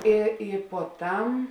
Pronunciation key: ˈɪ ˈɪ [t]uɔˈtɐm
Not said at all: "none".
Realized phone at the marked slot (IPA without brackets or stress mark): p